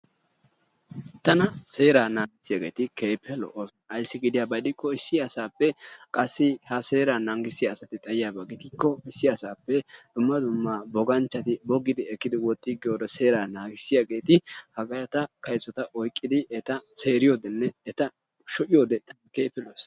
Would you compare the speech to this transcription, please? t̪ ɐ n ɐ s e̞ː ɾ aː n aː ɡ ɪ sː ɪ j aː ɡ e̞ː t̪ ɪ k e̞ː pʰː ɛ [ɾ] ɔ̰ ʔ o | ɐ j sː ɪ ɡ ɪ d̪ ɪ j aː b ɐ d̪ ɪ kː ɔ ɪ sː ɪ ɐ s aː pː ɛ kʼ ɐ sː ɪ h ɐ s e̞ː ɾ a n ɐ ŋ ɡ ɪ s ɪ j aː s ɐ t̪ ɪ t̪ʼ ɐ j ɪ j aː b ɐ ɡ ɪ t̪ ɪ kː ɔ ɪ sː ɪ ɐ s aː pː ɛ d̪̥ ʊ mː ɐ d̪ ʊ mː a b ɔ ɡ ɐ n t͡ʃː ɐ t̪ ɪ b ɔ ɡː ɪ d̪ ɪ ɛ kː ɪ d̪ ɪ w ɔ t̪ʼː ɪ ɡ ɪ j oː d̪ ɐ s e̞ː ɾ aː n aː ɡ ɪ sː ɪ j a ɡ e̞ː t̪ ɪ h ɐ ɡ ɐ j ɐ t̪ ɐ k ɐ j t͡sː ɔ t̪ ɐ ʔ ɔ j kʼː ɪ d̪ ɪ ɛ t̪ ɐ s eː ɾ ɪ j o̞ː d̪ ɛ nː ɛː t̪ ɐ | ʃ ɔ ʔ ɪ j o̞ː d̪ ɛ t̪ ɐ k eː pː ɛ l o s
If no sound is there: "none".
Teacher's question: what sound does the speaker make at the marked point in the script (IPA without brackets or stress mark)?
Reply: l